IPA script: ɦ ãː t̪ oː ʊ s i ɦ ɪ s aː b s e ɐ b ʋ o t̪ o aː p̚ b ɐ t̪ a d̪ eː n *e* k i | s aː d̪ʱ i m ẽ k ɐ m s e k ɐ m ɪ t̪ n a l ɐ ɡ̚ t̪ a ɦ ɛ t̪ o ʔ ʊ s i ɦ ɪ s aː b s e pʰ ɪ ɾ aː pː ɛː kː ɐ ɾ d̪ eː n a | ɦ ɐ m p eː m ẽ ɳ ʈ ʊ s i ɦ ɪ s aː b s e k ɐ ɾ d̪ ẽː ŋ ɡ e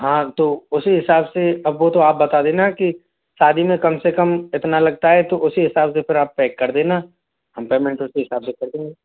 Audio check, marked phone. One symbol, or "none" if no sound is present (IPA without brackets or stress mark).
a